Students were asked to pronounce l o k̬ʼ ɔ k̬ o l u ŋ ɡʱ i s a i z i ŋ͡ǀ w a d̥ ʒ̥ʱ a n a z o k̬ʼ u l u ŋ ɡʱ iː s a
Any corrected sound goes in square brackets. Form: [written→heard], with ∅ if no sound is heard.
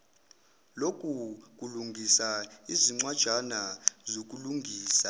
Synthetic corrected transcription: l o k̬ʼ [ɔ→u] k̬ [o→u] l u ŋ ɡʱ i s a i z i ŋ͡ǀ w a d̥ ʒ̥ʱ a n a z o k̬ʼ u l u ŋ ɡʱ iː s a